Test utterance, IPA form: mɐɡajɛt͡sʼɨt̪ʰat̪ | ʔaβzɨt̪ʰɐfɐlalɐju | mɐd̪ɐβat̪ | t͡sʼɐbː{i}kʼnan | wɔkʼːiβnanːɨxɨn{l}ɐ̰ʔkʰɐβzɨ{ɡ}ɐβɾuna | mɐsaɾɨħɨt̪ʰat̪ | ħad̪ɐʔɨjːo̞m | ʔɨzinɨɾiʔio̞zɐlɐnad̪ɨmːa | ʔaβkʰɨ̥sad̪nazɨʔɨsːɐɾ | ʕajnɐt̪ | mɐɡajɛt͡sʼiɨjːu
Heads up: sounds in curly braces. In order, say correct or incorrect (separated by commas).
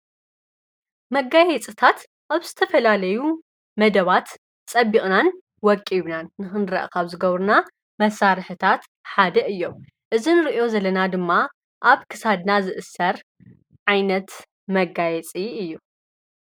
correct, incorrect, correct